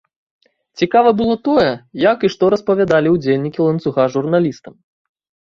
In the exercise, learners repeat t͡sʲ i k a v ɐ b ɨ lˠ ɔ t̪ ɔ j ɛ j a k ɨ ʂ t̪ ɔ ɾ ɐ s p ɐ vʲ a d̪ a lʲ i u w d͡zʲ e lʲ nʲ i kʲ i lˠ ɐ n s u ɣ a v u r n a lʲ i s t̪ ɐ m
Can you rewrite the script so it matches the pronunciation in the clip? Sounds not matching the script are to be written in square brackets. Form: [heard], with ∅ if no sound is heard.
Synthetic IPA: t͡sʲ i k a v ɐ b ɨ lˠ ɔ t̪ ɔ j ɛ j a k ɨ ʂ t̪ ɔ ɾ ɐ s p ɐ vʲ a d̪ a lʲ i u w d͡zʲ e lʲ nʲ i kʲ i lˠ ɐ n s u ɣ a [ʐ] u r n a lʲ i s t̪ ɐ m

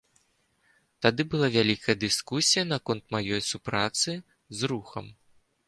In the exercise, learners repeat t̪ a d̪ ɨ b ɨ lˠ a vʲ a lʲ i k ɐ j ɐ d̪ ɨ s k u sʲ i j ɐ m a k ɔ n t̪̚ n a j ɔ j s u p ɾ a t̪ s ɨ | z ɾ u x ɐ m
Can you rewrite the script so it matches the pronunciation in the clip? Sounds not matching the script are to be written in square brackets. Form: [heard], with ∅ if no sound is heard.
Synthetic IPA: t̪ a d̪ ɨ b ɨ lˠ a vʲ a lʲ i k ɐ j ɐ d̪ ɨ s k u sʲ i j ɐ [n] a k ɔ n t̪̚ [m] a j ɔ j s u p ɾ a t̪ s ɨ | z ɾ u x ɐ m

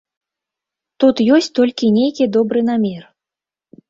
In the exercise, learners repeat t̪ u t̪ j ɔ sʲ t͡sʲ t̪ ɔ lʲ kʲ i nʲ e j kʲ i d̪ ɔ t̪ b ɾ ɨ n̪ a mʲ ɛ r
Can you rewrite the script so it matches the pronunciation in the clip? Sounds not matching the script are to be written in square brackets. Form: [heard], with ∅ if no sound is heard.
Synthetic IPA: t̪ u t̪ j ɔ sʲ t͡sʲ t̪ ɔ lʲ kʲ i nʲ e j kʲ i d̪ ɔ [∅] b ɾ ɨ n̪ a mʲ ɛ r

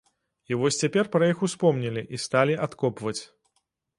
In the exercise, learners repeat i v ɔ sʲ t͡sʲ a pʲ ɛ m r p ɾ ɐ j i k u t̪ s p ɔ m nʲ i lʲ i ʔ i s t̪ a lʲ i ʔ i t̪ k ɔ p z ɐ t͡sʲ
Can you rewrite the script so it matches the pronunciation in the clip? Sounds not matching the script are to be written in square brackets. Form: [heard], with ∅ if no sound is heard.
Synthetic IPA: i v ɔ sʲ t͡sʲ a pʲ ɛ [∅] r p ɾ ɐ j i [x] u [∅] s p ɔ m nʲ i lʲ i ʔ i s t̪ a lʲ i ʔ [a] t̪ k ɔ p [v] ɐ t͡sʲ

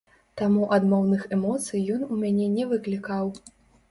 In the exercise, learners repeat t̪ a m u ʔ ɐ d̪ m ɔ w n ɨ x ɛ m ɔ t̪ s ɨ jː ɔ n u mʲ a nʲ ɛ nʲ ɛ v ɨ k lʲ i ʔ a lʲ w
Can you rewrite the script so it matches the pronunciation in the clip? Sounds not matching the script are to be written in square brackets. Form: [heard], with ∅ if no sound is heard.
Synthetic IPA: t̪ a m u ʔ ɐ d̪ m ɔ w n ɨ x ɛ m ɔ t̪ s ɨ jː ɔ n u mʲ a nʲ ɛ nʲ ɛ v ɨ k lʲ i [k] a [∅] w

